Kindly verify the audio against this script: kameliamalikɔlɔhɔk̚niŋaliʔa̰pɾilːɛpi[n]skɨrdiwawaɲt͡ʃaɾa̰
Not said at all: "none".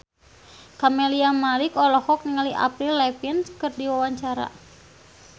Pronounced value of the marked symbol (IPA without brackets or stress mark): n